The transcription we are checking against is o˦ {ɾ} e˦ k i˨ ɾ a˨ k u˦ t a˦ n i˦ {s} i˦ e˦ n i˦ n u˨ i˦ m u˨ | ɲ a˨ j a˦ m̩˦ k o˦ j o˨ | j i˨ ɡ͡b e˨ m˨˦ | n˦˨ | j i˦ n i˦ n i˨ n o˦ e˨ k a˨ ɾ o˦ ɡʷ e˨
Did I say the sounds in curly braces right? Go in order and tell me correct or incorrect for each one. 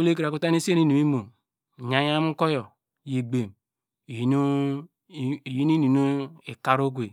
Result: incorrect: l, correct

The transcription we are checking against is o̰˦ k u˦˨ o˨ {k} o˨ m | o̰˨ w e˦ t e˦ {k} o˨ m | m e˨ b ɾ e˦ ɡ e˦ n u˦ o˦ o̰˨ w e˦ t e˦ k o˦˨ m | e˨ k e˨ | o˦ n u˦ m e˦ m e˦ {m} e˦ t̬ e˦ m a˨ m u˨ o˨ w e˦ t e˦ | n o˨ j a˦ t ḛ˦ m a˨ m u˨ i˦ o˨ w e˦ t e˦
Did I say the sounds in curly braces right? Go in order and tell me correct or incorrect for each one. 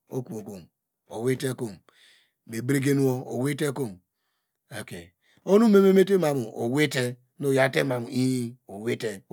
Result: correct, correct, correct

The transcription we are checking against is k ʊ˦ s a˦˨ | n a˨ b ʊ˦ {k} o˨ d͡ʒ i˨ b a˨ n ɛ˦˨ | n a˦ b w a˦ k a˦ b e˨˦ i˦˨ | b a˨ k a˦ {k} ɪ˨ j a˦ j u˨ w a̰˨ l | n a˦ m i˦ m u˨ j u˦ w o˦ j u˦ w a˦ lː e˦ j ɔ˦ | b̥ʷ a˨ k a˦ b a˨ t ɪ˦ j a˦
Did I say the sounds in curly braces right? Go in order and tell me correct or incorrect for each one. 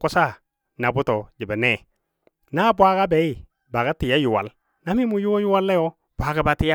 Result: incorrect: t, incorrect: t

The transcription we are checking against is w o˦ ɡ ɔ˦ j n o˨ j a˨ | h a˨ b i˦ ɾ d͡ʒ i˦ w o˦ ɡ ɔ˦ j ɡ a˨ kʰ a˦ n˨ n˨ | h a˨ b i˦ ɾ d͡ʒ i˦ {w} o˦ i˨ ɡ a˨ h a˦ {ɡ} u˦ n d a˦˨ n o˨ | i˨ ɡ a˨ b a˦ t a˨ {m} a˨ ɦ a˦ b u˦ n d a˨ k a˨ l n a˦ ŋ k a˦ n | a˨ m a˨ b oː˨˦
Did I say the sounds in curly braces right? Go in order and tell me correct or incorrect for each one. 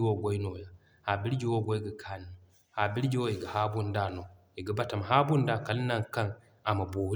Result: correct, incorrect: b, correct

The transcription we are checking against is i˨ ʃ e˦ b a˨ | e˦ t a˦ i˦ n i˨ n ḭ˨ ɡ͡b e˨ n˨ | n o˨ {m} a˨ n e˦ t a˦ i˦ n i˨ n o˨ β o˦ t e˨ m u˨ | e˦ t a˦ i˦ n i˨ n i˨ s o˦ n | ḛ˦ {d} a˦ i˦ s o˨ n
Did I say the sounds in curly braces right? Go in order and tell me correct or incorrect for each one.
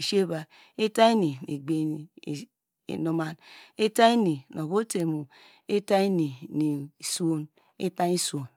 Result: correct, incorrect: t

